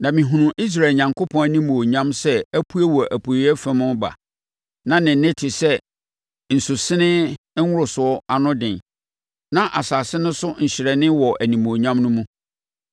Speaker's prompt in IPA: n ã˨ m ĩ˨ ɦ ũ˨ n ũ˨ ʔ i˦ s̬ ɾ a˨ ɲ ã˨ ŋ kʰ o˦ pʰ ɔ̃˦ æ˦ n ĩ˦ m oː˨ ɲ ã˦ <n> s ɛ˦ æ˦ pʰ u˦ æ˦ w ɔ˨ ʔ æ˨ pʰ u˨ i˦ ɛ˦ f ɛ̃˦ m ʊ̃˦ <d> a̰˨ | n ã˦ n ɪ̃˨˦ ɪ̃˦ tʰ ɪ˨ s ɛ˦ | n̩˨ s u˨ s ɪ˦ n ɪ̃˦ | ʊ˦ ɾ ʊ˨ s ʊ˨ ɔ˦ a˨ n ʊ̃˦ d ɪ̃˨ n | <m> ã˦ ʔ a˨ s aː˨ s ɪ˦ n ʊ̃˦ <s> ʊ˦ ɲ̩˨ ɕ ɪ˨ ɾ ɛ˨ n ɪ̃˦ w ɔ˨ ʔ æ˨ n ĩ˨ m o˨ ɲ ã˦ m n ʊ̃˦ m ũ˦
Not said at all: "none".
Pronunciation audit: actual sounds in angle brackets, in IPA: m, b, n, s

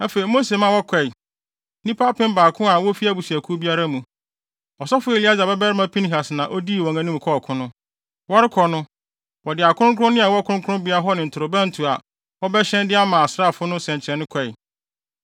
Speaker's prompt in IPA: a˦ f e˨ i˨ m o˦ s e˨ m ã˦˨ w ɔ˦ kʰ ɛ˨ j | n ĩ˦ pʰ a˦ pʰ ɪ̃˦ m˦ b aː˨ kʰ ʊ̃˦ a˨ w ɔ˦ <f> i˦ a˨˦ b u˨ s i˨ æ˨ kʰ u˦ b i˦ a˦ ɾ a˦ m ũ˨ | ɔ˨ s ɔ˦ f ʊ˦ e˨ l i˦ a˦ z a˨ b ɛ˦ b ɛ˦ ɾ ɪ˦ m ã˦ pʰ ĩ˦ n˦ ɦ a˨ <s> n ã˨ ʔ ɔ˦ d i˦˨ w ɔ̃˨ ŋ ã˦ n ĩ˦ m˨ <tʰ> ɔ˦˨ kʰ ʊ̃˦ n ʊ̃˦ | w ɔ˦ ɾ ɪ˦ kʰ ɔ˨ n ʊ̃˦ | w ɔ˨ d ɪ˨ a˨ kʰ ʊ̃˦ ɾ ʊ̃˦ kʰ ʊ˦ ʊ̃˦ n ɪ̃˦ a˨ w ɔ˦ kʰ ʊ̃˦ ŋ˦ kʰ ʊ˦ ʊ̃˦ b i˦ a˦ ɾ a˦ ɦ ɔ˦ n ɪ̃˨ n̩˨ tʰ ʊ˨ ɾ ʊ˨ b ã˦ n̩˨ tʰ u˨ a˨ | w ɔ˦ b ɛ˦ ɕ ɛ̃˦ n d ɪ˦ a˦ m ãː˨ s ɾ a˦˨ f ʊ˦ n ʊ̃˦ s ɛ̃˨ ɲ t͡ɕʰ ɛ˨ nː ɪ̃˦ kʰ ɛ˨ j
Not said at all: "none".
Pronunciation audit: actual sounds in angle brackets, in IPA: f, s, kʰ

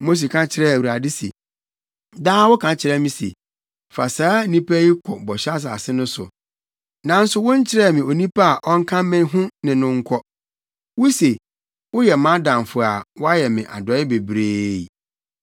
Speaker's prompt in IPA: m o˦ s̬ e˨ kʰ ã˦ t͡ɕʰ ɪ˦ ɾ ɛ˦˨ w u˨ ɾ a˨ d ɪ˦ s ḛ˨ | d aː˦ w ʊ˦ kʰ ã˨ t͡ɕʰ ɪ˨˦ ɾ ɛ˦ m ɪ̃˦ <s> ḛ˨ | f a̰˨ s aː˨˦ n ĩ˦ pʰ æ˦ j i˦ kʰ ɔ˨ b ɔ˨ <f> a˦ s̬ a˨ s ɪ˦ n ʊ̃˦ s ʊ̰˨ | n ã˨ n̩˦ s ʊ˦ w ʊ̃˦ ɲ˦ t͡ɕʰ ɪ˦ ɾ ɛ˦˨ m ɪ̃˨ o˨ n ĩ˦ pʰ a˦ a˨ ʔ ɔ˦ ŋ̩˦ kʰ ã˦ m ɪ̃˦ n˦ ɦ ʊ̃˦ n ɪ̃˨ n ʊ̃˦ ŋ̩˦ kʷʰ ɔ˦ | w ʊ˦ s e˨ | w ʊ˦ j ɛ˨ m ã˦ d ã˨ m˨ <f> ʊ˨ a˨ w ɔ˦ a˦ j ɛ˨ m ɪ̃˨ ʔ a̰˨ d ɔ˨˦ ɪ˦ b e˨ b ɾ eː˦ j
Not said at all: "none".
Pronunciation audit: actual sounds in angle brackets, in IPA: s, ɕ, f

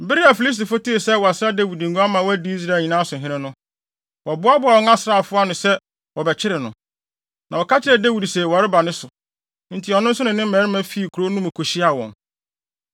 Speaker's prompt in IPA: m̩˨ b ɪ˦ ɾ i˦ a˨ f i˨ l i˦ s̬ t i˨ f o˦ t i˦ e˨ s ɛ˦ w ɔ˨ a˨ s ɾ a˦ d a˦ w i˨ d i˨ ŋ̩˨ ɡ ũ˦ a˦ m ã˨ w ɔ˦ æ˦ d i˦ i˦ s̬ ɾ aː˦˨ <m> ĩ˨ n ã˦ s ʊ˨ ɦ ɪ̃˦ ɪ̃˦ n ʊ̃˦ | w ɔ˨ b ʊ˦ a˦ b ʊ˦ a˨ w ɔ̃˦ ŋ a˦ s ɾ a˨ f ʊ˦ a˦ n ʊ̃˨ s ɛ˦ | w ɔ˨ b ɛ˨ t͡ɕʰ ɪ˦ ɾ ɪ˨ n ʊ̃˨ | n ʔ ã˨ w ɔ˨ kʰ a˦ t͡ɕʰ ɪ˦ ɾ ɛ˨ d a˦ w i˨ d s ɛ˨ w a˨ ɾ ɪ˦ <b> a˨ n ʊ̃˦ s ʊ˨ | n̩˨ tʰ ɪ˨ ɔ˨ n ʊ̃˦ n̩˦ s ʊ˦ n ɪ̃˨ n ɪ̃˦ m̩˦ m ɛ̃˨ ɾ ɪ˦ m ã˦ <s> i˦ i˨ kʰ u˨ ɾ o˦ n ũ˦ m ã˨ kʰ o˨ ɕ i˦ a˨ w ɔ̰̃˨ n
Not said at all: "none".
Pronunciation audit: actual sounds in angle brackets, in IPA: ɲ, b, f

